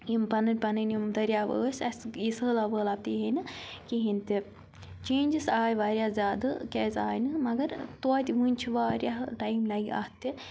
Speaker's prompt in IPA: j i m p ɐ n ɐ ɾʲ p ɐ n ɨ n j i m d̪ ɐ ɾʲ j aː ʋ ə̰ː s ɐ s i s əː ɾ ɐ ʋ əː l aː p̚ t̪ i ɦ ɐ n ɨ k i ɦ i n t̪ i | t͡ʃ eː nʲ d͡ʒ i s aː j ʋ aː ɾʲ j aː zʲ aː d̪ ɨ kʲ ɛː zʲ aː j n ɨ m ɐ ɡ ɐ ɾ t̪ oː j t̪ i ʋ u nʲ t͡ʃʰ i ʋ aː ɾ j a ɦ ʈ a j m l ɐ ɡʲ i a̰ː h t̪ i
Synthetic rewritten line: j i m p ɐ n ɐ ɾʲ p ɐ n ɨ n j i m d̪ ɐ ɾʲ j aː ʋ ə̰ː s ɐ s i s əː l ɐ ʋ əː l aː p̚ t̪ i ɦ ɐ n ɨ k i ɦ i n t̪ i | t͡ʃ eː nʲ d͡ʒ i s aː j ʋ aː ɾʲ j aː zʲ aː d̪ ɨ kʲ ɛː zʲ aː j n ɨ m ɐ ɡ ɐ ɾ t̪ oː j t̪ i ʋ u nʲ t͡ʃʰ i ʋ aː ɾ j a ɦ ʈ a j m l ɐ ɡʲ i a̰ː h t̪ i